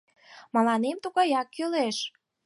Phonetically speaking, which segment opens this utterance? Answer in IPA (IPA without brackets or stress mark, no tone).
m